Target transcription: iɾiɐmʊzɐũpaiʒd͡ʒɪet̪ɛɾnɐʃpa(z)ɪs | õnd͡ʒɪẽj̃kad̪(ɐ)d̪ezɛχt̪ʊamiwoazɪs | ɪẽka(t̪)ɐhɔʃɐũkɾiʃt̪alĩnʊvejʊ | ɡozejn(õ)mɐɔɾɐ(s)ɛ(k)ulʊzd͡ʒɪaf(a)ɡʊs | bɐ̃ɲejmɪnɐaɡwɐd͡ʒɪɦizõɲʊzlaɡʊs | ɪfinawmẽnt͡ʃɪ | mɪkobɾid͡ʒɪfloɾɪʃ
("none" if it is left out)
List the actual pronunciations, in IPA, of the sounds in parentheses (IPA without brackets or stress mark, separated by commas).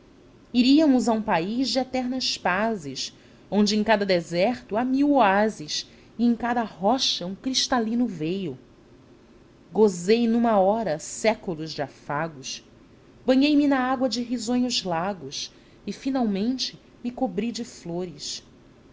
z, ɐ, d̪, ũ, s, k, a